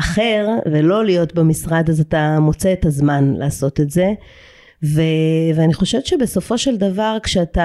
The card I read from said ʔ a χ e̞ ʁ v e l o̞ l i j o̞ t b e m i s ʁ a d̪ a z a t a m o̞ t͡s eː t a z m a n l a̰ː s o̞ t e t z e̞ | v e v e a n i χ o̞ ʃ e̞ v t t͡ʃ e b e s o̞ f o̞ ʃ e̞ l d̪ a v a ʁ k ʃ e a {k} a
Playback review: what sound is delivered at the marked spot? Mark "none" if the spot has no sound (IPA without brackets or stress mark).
t